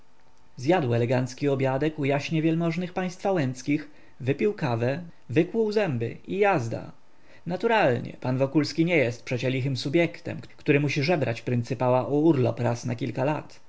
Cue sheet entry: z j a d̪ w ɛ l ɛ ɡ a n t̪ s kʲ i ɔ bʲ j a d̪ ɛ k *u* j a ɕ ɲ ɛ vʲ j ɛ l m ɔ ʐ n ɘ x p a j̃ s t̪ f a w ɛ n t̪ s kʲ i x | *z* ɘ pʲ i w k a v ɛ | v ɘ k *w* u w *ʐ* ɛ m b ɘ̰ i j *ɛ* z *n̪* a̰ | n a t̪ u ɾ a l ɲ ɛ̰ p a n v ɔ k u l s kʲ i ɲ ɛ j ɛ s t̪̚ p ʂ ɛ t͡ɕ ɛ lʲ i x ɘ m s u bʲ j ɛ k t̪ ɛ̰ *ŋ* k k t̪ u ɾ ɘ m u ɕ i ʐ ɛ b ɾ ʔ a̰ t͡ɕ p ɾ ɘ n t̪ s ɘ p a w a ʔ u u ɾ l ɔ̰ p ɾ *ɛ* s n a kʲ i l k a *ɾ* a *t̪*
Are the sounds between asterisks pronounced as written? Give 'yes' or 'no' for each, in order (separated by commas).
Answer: yes, no, yes, no, no, no, no, no, no, yes